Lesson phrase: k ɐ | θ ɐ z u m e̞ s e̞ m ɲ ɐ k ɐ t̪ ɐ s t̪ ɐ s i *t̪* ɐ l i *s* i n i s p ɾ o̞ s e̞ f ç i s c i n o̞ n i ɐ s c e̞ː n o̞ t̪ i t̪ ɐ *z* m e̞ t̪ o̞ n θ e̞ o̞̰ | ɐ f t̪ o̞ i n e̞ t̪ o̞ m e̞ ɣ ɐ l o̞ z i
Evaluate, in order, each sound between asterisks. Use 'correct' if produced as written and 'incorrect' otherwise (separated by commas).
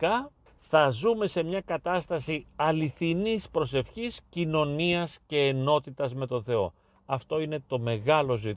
incorrect, incorrect, correct